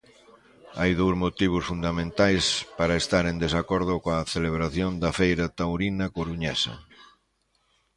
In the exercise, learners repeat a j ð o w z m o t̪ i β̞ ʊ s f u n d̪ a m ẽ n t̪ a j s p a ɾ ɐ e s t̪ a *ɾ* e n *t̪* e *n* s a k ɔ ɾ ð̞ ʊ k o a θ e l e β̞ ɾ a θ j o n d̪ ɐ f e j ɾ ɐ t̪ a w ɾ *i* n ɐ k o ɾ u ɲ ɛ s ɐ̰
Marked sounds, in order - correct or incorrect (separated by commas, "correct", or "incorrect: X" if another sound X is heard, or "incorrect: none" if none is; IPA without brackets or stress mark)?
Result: correct, incorrect: d̪, incorrect: none, correct